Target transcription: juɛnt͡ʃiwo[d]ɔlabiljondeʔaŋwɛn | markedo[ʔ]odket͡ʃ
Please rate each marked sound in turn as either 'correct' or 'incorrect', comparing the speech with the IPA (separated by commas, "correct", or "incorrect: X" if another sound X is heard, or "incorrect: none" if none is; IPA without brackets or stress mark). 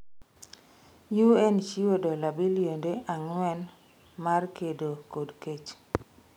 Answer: correct, incorrect: k